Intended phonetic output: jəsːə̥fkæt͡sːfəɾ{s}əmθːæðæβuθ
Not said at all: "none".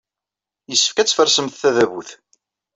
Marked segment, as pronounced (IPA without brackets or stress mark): s